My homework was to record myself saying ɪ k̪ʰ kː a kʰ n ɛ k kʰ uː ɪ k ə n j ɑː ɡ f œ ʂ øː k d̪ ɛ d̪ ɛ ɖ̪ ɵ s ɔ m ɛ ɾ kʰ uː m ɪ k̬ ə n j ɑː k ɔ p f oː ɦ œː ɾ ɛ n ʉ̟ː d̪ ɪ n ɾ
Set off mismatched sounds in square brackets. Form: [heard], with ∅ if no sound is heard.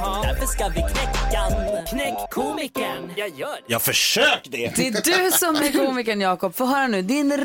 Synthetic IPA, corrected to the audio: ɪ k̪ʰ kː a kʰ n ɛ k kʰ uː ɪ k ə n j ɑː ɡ f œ ʂ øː k d̪ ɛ d̪ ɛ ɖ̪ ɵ s ɔ m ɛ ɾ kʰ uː m ɪ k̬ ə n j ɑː k ɔ p f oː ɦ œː ɾ [a] n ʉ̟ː d̪ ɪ n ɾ